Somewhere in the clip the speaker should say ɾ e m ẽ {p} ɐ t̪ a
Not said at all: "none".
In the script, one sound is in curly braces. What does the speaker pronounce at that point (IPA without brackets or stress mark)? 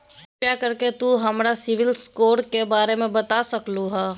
b